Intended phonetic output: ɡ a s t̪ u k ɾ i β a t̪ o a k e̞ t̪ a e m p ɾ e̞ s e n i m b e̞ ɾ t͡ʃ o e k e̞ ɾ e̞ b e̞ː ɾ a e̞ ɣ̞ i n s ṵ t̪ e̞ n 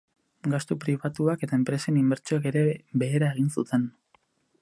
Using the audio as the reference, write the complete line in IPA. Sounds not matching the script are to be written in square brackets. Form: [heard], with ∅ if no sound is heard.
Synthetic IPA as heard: ɡ a s t̪ u [p] ɾ i β a t̪ [u] a k e̞ t̪ a e m p ɾ e̞ s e n i m b e̞ ɾ t͡ʃ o [a] k e̞ ɾ e̞ b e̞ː ɾ a e̞ ɣ̞ i n s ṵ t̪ e̞ n